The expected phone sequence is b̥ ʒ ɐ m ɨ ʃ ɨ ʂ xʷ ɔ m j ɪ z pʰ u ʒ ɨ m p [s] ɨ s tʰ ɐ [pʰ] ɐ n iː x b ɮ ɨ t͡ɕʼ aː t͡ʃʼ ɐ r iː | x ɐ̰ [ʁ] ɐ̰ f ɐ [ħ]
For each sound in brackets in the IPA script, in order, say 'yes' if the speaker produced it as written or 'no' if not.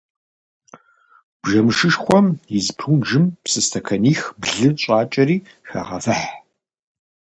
yes, no, yes, yes

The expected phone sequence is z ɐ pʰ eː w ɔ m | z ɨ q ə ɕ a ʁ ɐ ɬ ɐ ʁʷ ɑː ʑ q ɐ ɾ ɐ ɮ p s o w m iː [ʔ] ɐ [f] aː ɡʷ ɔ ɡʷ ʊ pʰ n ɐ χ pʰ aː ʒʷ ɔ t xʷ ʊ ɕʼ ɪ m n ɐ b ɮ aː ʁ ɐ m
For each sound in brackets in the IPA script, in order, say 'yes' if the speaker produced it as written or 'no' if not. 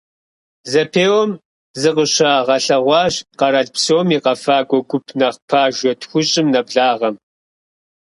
no, yes

